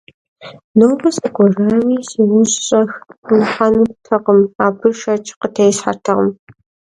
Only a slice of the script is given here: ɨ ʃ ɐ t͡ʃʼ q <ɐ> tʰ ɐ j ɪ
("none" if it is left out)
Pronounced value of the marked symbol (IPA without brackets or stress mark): ə